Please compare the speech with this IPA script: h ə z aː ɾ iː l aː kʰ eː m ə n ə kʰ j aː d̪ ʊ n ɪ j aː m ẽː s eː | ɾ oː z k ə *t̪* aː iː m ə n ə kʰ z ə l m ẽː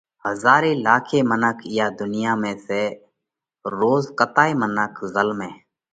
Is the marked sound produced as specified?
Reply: yes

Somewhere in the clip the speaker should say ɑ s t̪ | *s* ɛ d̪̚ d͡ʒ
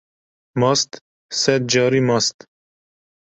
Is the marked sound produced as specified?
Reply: yes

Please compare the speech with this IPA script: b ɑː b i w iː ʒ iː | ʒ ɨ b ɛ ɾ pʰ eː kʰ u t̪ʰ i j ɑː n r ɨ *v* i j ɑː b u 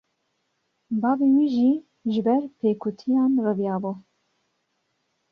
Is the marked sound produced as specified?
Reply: yes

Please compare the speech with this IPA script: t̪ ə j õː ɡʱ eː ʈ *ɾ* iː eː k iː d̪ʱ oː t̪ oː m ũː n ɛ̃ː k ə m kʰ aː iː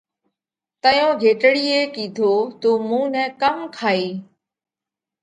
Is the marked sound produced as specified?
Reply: no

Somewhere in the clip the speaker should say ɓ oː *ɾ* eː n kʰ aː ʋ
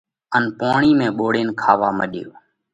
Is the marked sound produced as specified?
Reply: no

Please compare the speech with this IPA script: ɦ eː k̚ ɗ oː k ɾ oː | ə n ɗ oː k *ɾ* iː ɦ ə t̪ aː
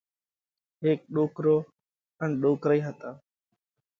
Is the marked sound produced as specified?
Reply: yes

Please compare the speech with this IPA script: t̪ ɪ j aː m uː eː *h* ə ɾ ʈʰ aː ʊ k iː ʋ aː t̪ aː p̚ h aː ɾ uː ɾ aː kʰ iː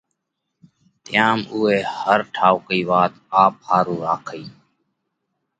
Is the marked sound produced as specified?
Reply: yes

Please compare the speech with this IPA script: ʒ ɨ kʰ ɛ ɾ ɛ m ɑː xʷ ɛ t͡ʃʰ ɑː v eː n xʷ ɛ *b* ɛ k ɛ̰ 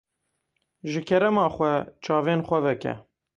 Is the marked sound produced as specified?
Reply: no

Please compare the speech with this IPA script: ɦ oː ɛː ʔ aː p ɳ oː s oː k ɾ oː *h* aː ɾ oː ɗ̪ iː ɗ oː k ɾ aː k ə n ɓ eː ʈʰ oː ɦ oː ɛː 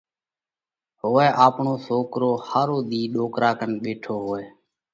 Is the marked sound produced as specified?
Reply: yes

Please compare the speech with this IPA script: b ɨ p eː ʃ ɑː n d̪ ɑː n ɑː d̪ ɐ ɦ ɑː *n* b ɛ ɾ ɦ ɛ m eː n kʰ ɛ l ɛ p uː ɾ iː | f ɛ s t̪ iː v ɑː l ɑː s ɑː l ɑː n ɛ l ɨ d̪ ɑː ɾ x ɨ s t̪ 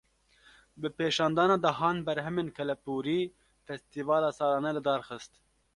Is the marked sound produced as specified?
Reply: yes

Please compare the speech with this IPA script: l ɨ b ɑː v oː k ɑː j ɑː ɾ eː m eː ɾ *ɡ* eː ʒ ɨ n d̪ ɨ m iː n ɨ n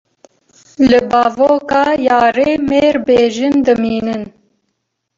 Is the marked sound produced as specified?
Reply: no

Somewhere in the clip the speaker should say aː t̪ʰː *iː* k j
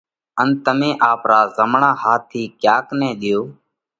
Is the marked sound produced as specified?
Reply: yes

